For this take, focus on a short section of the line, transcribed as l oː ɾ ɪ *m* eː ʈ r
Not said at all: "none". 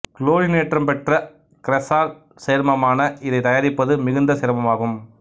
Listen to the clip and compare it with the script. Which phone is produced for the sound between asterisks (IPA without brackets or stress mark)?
n